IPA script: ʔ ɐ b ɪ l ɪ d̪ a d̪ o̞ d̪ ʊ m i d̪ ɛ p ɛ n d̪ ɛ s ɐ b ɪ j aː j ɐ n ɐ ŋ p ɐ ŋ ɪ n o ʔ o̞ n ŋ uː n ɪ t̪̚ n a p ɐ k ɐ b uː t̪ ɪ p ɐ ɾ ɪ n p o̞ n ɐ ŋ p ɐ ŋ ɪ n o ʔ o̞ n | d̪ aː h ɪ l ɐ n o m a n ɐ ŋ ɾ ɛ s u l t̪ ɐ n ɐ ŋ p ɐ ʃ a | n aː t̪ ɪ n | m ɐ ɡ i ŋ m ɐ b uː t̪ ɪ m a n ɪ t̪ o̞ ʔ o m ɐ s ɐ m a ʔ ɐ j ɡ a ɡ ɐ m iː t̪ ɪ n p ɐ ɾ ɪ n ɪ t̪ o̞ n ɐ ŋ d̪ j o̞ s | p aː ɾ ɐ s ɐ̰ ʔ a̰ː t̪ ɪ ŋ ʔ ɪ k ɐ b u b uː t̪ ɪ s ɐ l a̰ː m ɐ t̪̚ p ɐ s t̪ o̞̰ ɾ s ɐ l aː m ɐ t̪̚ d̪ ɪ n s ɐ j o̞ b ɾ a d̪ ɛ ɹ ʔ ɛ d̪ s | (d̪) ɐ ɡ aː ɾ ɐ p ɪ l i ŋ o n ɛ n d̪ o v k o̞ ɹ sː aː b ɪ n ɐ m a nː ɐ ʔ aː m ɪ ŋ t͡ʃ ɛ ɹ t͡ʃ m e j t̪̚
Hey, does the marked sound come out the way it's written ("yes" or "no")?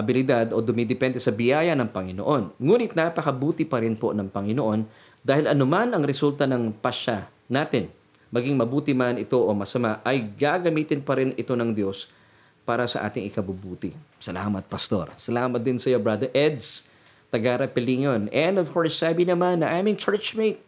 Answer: no